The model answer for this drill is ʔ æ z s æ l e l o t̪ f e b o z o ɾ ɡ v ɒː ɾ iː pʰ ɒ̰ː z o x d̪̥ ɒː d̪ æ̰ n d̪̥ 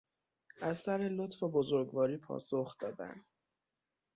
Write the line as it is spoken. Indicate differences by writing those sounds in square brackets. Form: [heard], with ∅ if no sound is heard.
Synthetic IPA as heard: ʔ æ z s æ [ɾ] e l o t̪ f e b o z o ɾ ɡ v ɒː ɾ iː pʰ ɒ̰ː [s] o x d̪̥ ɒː d̪ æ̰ n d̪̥